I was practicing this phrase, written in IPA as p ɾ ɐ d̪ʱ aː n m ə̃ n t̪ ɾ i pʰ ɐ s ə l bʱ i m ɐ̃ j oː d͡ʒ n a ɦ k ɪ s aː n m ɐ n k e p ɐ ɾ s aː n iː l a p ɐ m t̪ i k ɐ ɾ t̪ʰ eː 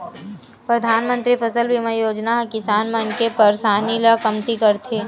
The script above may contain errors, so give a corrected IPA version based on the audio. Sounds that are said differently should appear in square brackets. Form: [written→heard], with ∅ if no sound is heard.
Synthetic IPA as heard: p ɾ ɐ d̪ʱ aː n m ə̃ n t̪ ɾ i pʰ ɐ s ə l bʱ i m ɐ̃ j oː d͡ʒ n a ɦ k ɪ s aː n m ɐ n k e p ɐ ɾ s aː n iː l a [p→k] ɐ m t̪ i k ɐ ɾ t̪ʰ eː